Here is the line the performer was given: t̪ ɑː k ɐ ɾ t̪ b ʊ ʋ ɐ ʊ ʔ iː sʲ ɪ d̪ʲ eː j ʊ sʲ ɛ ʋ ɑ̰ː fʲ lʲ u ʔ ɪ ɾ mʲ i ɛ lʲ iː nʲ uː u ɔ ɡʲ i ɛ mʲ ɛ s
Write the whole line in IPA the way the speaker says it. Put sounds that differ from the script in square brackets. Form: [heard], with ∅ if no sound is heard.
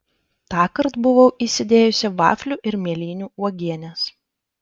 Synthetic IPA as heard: t̪ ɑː k ɐ ɾ t̪ b ʊ ʋ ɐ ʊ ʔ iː sʲ ɪ d̪ʲ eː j ʊ sʲ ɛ ʋ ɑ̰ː fʲ lʲ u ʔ ɪ ɾ mʲ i ɛ lʲ iː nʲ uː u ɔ ɡʲ i ɛ [nʲ] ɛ s